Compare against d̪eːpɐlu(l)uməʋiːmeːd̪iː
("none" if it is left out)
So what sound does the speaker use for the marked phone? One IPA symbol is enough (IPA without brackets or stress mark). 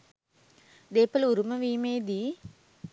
ɾ